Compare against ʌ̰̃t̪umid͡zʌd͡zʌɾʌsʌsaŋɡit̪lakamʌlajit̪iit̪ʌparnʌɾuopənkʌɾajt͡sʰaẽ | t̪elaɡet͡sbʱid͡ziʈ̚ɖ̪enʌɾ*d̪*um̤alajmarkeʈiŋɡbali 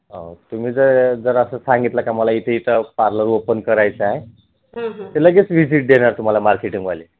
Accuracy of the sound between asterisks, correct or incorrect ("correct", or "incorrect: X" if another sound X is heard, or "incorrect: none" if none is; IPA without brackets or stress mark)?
incorrect: t̪